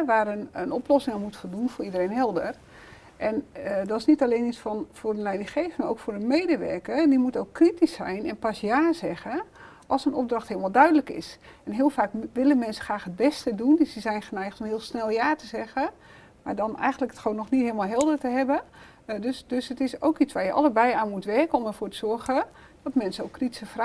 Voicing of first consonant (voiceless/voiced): voiced